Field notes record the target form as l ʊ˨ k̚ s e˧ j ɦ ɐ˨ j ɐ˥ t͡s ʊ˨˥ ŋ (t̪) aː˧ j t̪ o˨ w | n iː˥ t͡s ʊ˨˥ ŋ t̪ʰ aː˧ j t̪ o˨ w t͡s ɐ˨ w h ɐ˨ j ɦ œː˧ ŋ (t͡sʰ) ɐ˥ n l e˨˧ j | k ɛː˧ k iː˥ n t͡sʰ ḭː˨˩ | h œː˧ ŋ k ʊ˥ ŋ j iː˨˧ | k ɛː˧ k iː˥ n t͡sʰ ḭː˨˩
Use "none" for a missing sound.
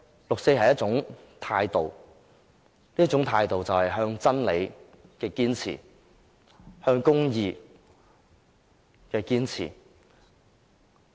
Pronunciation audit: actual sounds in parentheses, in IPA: t̪ʰ, t͡s

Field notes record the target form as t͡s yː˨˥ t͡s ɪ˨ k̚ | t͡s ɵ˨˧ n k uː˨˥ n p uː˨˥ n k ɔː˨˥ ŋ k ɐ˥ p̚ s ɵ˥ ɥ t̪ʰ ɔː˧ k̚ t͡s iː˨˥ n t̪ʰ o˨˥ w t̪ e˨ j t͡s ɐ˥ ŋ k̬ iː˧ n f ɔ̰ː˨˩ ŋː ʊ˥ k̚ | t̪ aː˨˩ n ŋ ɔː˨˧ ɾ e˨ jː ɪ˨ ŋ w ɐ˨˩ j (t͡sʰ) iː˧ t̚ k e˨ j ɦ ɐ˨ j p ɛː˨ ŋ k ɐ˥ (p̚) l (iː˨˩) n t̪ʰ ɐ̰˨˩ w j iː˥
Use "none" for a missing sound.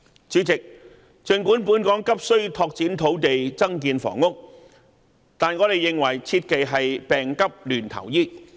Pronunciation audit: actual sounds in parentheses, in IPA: t͡sʰ, p̚, yː˨˩

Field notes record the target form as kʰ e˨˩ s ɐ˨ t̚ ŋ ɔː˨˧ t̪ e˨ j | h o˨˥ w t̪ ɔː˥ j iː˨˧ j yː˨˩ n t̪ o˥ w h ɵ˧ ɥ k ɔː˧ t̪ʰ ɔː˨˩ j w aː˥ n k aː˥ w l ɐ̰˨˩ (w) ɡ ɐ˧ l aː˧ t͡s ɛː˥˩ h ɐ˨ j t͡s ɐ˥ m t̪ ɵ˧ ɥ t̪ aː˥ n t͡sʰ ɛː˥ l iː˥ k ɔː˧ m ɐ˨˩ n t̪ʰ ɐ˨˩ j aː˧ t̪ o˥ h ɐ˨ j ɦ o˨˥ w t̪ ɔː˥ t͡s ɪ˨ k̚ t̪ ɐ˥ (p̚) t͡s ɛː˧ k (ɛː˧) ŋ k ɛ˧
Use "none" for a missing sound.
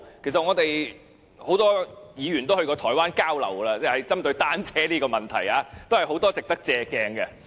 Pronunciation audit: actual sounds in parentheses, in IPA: w, k̚, ɛː˧

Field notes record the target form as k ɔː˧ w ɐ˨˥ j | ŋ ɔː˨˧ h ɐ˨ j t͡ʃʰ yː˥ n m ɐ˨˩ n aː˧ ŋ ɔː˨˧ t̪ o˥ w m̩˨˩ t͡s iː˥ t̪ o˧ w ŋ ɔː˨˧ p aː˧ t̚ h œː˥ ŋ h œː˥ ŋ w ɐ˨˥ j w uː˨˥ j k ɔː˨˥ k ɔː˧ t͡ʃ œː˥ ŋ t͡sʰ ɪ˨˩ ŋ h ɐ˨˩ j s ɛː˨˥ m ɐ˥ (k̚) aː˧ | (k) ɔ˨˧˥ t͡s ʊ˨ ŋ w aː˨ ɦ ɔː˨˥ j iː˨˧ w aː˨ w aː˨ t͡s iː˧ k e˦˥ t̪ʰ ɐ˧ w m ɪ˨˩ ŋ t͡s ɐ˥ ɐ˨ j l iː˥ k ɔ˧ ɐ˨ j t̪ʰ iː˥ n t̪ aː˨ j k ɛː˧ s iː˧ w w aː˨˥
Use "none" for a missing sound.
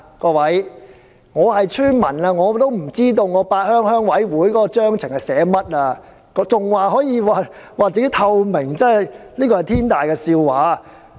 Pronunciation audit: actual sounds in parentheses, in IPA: t̚, k

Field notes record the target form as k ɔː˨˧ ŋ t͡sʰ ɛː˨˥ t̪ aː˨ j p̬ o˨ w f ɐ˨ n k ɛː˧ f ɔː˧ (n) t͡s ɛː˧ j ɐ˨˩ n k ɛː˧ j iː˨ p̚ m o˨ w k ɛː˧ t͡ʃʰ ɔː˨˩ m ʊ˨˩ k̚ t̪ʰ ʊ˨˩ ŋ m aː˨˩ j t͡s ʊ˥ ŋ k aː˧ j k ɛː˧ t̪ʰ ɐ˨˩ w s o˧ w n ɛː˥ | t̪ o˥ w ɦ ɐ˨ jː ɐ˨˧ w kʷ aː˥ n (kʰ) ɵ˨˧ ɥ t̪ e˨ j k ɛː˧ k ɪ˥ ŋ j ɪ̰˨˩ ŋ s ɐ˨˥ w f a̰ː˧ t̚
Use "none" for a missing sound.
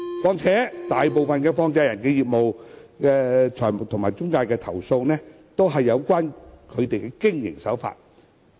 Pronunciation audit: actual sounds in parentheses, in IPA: ŋ, kʰ

